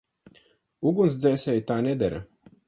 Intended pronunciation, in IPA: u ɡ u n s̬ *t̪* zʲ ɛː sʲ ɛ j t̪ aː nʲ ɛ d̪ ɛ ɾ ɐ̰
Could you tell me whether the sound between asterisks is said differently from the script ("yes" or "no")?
yes